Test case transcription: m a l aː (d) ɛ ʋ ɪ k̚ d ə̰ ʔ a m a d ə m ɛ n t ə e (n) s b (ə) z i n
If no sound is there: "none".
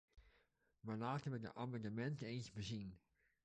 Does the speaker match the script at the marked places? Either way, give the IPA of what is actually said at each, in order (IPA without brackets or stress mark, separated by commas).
t, n, ə